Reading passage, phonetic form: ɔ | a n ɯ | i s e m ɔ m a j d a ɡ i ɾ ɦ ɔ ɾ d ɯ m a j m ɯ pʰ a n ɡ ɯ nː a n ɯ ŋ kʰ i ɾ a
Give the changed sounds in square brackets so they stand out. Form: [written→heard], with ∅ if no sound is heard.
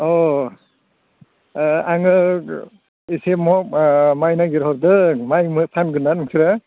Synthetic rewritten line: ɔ | a [n→ŋ] ɯ | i s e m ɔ m a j [d→n] a ɡ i ɾ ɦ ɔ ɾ d ɯ m a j m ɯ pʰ a n ɡ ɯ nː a n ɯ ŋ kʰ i ɾ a